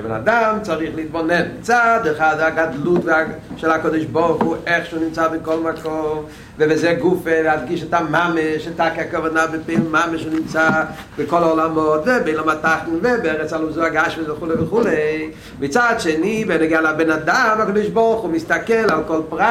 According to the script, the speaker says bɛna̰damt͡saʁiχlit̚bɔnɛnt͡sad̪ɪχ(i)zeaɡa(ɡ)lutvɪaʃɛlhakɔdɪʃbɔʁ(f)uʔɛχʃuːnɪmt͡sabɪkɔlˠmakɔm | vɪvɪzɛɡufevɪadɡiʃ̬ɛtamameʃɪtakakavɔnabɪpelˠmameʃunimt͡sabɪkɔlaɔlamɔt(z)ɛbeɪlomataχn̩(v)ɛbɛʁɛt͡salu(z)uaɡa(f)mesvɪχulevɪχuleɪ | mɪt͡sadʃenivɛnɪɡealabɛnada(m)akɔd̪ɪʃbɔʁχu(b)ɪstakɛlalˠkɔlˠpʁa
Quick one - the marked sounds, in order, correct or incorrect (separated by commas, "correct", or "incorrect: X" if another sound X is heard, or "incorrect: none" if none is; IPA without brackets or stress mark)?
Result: incorrect: a, incorrect: d, incorrect: χ, incorrect: v, correct, correct, incorrect: ʃ, correct, incorrect: m